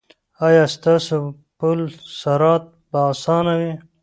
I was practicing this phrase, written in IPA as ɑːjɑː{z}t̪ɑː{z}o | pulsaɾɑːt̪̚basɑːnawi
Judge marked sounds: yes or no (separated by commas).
no, no